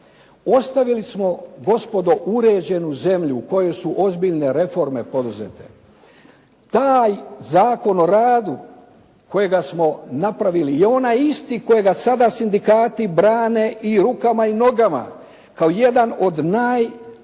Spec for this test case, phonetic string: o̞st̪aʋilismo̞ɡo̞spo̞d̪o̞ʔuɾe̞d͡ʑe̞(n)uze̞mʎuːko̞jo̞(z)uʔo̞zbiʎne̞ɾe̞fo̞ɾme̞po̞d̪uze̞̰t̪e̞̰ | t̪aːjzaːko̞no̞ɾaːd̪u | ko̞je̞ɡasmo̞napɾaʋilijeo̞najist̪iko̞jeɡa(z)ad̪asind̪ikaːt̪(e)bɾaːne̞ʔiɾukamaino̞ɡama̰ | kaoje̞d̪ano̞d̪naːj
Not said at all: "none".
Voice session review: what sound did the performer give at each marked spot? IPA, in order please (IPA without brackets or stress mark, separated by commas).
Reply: n, s, s, i